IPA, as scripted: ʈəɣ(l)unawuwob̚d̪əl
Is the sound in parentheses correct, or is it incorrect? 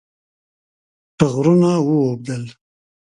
incorrect